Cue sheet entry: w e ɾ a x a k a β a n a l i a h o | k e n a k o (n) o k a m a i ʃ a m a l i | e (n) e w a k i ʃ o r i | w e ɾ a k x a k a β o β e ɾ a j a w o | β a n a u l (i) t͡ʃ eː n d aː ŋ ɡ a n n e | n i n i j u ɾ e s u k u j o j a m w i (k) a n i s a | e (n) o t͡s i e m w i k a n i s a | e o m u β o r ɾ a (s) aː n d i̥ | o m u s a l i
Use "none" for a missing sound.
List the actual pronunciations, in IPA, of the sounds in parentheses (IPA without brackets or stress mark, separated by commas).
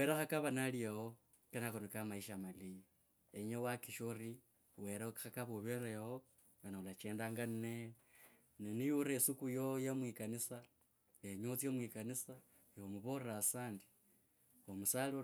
n, ɲ, a, k, ɲ, s